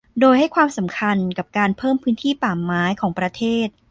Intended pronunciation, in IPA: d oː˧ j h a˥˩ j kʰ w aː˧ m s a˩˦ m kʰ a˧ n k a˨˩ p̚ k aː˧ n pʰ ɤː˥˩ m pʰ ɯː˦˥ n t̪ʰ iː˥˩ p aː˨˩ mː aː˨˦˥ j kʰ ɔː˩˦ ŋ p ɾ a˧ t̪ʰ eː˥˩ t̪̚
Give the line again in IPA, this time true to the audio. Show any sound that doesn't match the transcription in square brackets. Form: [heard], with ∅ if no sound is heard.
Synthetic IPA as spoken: d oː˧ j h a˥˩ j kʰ w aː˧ m s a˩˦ m kʰ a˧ n k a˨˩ p̚ k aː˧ n pʰ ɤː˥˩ m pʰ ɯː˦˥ n t̪ʰ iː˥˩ p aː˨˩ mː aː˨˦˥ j kʰ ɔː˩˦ ŋ p ɾ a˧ t̪ʰ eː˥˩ t̪̚